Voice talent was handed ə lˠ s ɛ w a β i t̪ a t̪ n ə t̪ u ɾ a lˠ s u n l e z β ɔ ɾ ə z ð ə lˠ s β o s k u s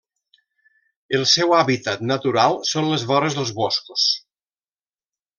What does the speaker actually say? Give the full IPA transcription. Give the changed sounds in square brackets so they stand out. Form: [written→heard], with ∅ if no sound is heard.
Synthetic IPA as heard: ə lˠ s ɛ w a β i t̪ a t̪ n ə t̪ u ɾ a lˠ s [u→o] n l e z β ɔ ɾ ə z ð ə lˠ [s→z] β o s k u s